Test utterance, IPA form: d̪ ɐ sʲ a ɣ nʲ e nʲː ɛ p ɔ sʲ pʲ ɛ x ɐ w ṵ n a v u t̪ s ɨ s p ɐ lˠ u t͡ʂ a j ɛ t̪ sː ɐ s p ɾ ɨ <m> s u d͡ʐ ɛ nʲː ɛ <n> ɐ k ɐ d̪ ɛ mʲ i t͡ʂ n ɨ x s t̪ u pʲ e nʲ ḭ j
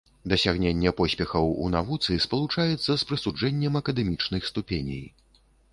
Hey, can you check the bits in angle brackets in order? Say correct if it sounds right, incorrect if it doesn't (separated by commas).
incorrect, incorrect